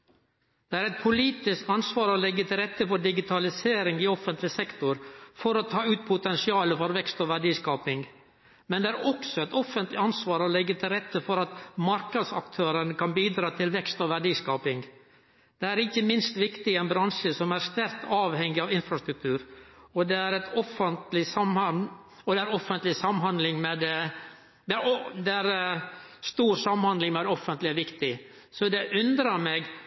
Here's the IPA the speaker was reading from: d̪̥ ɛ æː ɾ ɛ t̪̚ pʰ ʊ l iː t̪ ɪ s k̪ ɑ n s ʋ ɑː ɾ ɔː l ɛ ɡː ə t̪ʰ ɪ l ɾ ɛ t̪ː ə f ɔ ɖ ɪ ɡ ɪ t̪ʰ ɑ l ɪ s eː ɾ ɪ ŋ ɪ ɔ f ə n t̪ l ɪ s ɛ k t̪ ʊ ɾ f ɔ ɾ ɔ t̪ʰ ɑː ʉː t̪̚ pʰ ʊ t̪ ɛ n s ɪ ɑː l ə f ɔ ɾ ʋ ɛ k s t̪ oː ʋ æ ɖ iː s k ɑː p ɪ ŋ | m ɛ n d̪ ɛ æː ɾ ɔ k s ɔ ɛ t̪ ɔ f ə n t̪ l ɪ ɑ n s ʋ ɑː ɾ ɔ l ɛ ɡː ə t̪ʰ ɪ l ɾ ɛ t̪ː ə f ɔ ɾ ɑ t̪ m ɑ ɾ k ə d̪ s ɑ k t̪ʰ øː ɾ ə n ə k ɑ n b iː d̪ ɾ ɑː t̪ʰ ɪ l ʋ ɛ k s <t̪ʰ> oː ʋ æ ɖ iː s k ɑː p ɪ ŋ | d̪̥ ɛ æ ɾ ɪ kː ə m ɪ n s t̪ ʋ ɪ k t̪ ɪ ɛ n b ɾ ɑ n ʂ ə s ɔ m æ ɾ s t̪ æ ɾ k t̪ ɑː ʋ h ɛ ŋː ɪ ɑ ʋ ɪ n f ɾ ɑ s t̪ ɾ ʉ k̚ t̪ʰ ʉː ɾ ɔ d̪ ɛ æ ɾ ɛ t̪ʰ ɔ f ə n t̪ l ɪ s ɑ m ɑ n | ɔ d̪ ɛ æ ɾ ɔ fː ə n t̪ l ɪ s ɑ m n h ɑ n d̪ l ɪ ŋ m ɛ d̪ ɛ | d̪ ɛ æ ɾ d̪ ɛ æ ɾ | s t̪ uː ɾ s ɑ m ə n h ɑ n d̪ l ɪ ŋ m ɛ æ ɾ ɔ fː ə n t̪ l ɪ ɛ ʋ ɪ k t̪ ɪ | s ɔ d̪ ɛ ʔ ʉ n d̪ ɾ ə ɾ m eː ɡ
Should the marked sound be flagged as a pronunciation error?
yes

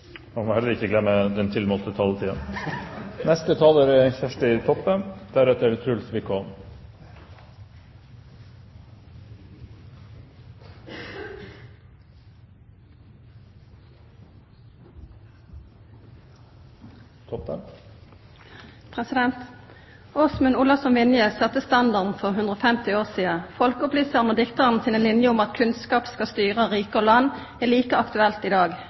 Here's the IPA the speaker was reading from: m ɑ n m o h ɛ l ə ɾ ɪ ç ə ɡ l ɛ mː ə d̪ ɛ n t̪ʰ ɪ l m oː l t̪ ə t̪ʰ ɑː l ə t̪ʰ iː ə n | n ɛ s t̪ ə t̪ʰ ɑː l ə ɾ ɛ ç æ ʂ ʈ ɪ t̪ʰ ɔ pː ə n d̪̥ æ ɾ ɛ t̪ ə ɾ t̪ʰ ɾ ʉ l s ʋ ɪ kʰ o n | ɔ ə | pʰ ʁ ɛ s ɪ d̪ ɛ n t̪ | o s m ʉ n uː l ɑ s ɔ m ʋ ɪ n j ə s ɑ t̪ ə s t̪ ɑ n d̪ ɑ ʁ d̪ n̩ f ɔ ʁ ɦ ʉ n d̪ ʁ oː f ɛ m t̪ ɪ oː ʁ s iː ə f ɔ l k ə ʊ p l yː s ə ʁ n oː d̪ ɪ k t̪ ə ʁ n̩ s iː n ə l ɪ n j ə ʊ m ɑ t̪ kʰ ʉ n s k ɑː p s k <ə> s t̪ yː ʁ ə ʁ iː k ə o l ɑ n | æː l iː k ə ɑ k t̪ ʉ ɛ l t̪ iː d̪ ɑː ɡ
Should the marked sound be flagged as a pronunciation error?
yes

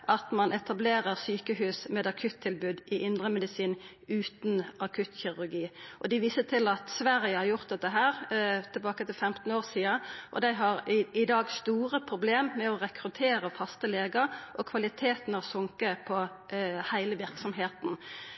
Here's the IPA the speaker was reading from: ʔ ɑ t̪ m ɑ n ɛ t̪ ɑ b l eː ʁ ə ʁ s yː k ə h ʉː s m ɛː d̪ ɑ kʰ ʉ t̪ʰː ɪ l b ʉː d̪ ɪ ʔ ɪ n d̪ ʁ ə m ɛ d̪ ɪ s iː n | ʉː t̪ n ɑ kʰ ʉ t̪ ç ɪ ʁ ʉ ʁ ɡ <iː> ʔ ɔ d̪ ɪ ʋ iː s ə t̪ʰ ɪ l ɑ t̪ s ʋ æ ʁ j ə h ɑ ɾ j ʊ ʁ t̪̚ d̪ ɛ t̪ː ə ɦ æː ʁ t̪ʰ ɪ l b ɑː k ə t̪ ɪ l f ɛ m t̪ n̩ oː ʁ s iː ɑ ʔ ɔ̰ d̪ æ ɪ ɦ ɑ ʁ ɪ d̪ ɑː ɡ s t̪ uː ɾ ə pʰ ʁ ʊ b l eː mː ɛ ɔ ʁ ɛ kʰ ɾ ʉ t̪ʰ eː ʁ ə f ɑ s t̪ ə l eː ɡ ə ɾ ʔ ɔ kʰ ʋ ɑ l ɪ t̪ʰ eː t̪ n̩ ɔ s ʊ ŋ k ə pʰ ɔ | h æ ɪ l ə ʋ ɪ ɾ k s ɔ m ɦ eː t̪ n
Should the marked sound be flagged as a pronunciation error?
no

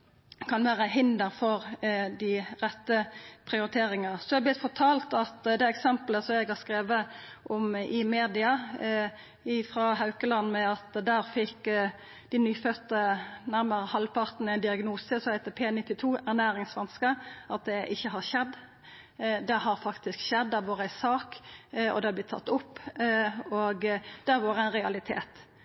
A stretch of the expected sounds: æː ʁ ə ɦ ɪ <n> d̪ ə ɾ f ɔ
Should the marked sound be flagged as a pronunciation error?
no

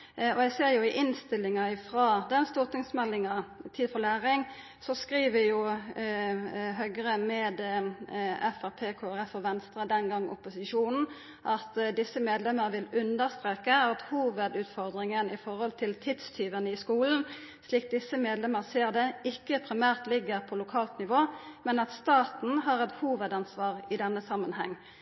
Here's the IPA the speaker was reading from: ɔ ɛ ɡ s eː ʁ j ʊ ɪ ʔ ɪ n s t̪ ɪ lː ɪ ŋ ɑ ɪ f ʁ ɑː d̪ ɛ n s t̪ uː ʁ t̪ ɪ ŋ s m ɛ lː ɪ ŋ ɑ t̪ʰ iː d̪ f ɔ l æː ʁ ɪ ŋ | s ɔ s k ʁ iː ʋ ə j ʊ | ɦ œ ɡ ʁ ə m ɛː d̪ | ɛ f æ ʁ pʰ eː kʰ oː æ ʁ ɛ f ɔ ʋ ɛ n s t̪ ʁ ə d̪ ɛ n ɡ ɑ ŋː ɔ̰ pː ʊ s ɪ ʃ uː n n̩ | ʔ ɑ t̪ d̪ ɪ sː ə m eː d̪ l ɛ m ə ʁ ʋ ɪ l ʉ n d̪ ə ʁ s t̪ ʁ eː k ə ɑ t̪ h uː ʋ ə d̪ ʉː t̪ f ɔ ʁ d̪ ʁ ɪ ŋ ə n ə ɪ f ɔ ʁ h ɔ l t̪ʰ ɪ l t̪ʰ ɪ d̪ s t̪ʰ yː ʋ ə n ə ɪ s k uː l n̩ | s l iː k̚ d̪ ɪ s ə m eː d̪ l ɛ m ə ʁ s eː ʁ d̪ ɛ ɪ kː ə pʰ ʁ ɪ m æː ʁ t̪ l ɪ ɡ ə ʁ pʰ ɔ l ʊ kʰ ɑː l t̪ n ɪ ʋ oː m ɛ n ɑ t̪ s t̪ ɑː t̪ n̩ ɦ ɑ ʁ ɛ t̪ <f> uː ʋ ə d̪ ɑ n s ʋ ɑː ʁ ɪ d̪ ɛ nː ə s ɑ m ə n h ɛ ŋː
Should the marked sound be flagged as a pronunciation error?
yes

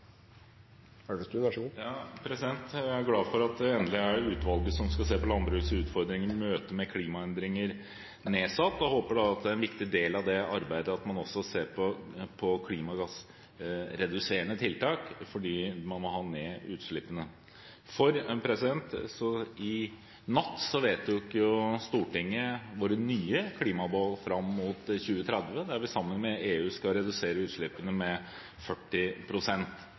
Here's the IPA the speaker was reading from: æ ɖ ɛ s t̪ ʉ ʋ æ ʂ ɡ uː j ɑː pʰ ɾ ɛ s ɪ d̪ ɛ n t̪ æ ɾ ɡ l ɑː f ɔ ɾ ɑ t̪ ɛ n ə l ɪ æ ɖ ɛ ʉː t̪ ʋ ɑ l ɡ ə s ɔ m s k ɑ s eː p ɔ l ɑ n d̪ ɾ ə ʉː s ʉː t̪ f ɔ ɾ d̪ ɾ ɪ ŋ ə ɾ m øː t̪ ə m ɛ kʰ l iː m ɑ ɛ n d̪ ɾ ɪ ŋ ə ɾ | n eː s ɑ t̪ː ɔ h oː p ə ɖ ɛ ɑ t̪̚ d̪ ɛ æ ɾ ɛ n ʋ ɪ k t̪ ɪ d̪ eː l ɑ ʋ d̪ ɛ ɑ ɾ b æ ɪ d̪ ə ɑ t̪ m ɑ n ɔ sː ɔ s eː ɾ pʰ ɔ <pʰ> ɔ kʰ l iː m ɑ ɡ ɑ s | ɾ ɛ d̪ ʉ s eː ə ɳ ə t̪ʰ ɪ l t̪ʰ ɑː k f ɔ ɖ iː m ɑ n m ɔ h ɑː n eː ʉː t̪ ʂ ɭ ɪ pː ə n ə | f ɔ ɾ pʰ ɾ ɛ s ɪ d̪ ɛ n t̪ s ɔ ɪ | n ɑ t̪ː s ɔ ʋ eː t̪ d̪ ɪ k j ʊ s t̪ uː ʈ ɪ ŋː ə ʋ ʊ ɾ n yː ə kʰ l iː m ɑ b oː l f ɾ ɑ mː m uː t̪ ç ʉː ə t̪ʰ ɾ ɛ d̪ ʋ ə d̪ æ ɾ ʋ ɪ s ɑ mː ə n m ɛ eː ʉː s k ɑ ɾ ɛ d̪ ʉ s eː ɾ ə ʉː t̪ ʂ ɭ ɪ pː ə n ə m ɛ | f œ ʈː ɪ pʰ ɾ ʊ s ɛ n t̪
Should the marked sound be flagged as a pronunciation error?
no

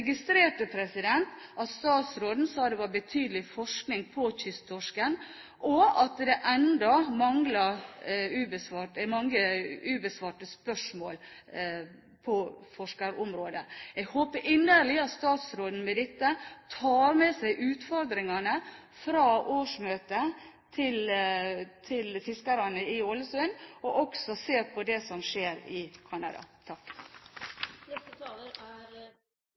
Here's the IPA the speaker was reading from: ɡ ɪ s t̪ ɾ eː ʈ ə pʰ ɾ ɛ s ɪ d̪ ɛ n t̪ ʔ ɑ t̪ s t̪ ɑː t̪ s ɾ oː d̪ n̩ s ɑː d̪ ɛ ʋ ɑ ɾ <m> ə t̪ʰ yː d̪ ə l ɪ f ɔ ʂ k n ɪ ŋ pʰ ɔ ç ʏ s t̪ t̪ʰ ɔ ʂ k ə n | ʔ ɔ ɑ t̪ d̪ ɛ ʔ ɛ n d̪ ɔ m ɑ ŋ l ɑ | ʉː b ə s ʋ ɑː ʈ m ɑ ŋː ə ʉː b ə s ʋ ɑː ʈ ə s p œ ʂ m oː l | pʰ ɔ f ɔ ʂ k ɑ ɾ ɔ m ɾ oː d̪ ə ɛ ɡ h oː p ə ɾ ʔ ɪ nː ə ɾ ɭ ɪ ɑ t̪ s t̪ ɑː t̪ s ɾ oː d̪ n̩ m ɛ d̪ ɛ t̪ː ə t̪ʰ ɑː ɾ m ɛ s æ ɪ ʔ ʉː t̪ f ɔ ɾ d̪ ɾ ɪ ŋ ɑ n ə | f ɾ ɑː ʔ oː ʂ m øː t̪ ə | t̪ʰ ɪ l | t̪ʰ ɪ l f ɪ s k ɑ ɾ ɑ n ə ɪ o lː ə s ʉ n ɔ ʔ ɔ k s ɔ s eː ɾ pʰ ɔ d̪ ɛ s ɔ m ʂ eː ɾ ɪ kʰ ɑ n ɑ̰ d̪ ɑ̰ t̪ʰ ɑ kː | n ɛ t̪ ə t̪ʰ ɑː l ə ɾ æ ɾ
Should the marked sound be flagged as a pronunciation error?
yes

